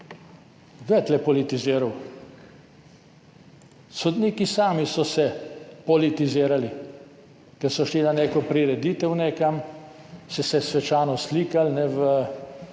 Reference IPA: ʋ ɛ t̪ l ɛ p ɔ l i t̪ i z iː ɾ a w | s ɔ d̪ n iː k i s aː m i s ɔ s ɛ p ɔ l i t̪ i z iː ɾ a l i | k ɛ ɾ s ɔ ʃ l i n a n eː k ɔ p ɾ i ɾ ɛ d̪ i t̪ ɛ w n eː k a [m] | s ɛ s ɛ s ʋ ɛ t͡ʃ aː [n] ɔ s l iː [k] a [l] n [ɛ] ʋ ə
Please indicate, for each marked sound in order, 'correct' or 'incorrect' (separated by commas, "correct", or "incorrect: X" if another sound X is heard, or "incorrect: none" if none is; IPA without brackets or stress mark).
correct, correct, correct, correct, correct